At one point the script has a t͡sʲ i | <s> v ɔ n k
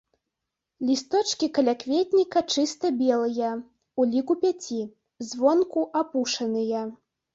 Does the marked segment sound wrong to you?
yes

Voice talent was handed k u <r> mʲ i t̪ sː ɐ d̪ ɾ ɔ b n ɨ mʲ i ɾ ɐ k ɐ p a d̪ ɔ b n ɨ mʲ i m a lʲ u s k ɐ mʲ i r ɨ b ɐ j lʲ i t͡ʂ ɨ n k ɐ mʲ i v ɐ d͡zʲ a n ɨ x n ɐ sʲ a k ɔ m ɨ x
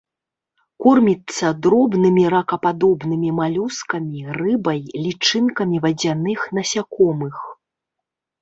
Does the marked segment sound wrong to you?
no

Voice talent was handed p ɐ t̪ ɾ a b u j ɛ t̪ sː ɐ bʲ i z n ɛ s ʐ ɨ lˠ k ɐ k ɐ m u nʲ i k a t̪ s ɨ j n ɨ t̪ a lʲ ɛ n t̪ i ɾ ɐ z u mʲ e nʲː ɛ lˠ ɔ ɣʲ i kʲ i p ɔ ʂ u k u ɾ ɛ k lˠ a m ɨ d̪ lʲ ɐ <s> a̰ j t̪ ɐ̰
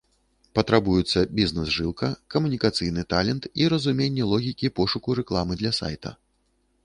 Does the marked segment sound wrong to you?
no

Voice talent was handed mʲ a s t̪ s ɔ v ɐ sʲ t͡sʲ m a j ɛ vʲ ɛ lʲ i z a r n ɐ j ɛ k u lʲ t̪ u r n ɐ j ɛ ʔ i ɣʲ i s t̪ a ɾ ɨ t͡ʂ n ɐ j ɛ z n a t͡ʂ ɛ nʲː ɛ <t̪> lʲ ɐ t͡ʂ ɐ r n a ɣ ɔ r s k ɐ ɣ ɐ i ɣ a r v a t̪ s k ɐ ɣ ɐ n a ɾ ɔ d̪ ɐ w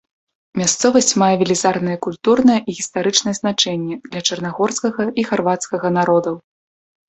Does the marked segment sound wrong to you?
yes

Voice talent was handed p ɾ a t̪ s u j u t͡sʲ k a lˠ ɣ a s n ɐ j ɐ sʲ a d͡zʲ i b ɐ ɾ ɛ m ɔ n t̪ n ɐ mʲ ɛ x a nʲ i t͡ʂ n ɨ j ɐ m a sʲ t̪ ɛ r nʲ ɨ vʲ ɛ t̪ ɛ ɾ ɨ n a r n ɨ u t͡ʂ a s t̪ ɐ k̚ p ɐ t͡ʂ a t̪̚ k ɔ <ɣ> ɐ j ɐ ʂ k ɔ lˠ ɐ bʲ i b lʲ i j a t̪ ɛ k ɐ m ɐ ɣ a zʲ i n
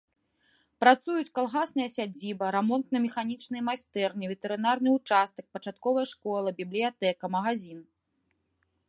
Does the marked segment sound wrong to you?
yes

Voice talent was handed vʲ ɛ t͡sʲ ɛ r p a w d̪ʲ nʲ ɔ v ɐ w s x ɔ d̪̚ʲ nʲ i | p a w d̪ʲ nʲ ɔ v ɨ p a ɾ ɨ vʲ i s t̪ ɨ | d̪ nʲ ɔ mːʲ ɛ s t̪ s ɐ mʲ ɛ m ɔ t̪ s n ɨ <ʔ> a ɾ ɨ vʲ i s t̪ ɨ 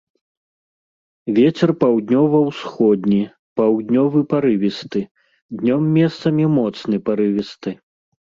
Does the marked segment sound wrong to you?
yes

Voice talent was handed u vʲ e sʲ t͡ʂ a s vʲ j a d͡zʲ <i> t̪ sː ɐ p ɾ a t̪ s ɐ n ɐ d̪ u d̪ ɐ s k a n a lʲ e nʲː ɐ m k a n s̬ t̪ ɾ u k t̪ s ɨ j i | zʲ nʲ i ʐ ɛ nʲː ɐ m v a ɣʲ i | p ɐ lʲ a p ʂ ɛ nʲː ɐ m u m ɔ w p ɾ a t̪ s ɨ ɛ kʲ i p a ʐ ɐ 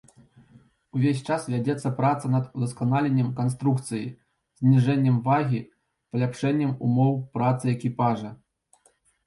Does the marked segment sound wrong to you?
yes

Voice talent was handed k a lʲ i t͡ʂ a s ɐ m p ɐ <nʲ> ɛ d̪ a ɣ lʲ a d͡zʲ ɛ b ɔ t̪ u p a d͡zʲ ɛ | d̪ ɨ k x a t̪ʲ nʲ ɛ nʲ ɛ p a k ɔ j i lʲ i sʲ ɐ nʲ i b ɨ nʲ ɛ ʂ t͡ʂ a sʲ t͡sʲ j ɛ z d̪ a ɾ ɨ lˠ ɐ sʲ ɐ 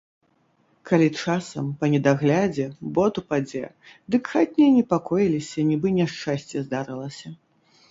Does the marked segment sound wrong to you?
no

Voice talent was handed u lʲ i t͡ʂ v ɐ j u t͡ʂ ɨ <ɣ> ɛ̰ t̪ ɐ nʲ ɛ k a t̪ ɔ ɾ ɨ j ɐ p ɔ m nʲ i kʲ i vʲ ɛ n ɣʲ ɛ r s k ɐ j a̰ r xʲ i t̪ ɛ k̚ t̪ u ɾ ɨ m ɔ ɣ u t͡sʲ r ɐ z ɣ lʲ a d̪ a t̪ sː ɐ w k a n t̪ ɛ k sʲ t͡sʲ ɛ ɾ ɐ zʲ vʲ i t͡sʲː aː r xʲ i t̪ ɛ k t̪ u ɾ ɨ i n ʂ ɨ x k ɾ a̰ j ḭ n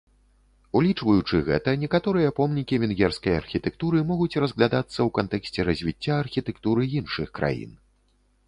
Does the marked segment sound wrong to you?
no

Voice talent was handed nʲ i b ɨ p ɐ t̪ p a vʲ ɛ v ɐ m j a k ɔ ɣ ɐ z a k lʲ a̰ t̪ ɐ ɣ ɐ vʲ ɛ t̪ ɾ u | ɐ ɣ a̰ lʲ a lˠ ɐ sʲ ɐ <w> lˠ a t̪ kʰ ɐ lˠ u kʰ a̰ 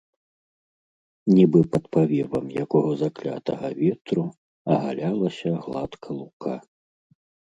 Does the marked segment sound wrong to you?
yes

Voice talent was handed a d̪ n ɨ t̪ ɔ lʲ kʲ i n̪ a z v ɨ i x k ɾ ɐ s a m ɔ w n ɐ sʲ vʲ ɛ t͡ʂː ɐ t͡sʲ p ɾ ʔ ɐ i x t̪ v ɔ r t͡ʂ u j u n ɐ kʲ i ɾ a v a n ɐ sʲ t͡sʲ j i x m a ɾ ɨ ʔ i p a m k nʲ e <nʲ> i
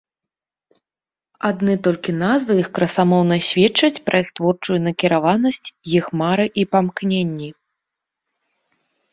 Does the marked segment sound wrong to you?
yes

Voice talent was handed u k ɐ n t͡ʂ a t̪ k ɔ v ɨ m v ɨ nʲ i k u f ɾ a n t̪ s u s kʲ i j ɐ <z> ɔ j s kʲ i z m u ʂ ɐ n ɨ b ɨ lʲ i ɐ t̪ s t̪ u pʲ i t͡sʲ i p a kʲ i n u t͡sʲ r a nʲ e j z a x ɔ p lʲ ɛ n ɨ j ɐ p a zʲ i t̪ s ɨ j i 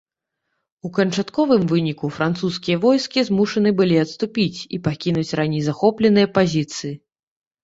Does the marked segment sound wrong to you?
yes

